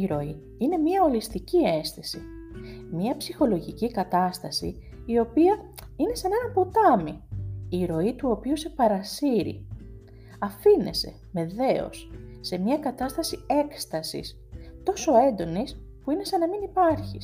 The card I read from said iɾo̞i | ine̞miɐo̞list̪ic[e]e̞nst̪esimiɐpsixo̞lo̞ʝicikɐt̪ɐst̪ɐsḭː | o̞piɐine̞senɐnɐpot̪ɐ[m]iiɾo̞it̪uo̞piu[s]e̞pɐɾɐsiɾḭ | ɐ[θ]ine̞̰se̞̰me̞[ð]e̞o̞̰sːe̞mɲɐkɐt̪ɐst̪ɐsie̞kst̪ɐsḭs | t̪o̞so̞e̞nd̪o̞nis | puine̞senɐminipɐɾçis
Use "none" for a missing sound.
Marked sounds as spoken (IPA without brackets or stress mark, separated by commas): i, m, s, f, ð